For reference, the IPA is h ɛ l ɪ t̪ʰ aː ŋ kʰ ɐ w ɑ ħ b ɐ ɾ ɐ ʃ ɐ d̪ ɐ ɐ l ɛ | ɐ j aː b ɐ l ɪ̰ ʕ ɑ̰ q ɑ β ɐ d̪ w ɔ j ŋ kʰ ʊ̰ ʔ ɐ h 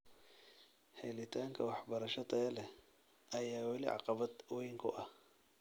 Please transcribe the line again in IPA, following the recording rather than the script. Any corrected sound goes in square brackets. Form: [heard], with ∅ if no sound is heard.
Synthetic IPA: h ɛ l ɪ t̪ʰ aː ŋ kʰ ɐ w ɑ ħ b ɐ ɾ ɐ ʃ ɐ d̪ ɐ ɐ l ɛ | ɐ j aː [w] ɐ l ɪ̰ ʕ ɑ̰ q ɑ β ɐ d̪ w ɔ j ŋ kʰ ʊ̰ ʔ ɐ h